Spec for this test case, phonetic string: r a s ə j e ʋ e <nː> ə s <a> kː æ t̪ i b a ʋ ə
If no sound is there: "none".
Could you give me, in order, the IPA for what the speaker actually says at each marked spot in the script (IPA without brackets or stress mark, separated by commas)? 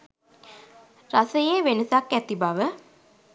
n, a